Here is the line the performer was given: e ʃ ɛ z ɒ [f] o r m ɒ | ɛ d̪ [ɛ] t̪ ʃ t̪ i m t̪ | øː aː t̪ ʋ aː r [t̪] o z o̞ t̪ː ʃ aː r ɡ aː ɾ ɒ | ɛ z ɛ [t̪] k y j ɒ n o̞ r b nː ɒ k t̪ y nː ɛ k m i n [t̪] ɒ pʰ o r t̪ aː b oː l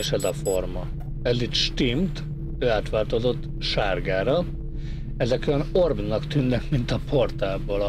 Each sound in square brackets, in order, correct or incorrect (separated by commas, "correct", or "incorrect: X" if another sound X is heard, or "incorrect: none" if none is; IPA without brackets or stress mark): correct, incorrect: i, correct, incorrect: none, correct